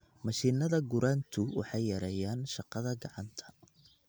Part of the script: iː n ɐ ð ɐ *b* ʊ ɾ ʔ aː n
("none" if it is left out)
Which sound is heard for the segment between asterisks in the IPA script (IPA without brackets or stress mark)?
ɡ